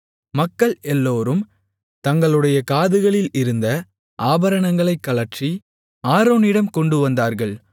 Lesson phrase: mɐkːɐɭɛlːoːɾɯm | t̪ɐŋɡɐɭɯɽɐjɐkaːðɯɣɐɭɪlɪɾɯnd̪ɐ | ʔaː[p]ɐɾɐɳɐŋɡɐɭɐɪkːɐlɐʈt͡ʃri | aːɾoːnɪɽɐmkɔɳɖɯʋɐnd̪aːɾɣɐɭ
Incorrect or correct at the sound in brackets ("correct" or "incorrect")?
incorrect